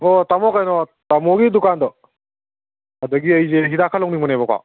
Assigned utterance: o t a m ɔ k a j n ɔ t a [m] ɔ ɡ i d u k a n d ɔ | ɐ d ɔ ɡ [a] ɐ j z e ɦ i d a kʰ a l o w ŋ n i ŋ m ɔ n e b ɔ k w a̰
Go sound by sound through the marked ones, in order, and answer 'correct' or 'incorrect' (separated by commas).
correct, incorrect